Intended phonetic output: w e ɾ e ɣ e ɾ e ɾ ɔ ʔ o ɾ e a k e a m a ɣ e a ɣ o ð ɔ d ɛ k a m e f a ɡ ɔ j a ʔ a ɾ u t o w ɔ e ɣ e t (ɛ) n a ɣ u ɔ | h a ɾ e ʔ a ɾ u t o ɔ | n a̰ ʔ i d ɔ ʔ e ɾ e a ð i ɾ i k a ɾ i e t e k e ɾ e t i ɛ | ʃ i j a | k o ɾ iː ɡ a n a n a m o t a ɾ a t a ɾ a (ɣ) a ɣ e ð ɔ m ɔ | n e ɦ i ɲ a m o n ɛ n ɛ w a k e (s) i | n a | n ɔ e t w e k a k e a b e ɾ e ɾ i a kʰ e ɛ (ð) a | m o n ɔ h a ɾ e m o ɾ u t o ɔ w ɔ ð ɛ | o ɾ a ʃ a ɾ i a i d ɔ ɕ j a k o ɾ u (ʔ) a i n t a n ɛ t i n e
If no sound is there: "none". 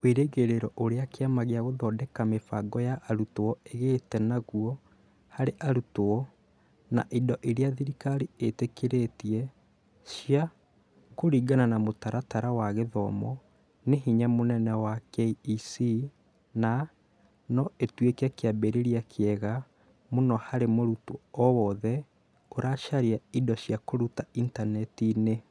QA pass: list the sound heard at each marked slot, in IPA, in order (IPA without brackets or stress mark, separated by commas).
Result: ɛ, w, s, ɣ, t